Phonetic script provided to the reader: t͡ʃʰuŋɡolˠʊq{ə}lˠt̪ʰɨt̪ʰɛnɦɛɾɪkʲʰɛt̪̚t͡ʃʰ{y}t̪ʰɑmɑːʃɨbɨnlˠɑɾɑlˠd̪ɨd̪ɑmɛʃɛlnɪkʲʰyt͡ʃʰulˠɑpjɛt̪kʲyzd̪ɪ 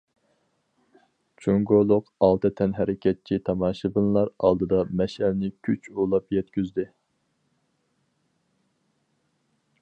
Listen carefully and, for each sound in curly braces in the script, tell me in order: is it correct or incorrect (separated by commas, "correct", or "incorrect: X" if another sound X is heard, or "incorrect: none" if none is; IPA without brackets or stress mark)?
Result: incorrect: ɑ, incorrect: i